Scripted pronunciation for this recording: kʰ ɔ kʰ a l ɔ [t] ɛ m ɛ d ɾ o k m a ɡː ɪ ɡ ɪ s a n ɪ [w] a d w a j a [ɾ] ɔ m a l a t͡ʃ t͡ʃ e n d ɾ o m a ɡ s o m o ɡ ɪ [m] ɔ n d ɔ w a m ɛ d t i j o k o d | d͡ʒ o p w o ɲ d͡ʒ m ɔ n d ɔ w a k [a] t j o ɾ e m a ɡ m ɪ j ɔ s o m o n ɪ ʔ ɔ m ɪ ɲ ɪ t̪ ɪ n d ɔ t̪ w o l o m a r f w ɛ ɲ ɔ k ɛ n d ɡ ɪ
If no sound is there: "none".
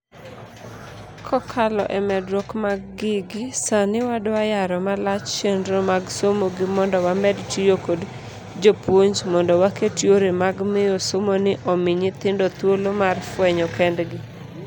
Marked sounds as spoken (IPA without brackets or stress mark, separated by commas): ʔ, w, ɾ, m, e